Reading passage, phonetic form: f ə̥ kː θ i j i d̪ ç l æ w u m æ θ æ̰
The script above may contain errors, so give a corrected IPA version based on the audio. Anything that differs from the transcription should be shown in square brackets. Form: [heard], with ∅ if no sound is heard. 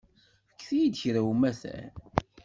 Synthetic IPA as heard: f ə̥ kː θ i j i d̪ ç [ɾ] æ w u m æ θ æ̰